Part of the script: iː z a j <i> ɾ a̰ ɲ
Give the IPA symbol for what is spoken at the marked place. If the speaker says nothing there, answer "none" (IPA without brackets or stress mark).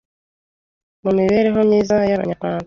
a